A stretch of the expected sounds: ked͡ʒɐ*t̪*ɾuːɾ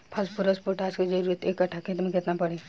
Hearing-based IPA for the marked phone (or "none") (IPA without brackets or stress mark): none